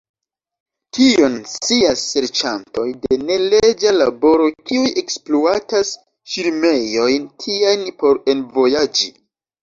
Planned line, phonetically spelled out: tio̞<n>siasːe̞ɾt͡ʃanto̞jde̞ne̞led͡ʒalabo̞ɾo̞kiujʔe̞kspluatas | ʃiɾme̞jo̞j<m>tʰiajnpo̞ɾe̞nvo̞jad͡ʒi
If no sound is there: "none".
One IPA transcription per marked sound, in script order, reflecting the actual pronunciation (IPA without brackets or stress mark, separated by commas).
n, n